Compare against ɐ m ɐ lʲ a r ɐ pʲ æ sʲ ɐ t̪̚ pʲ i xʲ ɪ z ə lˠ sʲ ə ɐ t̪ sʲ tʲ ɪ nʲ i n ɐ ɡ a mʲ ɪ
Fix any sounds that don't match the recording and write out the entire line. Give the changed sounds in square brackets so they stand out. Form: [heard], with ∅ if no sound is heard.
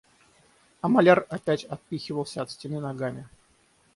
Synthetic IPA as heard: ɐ m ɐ lʲ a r ɐ pʲ æ [tʲ] ɐ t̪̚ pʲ i xʲ ɪ [v] ə lˠ sʲ ə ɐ t̪ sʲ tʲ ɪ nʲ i n ɐ ɡ a mʲ ɪ